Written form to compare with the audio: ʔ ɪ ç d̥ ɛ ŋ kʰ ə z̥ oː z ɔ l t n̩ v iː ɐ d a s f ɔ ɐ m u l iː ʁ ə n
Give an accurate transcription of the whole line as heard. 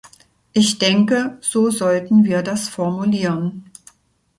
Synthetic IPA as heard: ʔ ɪ ç d̥ ɛ ŋ k ə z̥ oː z ɔ l t n̩ v iː ɐ d a s f ɔ ɐ m u l iː ʁ ə n